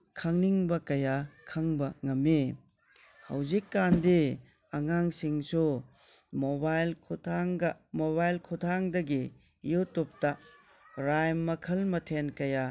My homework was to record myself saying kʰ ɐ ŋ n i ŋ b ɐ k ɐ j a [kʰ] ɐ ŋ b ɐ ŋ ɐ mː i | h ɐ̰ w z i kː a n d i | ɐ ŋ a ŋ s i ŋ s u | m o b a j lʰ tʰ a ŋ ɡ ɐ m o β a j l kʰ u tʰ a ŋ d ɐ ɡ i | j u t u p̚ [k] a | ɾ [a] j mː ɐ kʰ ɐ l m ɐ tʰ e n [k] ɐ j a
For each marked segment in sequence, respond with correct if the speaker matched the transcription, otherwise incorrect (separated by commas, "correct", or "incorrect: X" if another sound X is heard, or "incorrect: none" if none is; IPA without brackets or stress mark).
correct, incorrect: t, correct, correct